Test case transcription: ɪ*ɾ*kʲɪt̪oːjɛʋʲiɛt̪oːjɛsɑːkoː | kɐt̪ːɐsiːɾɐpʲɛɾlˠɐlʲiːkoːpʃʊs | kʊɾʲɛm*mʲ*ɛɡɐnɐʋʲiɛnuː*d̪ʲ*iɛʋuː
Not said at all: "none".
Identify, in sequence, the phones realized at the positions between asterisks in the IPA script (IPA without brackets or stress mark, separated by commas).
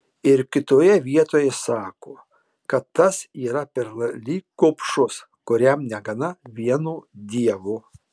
ɾ, nʲ, d̪ʲ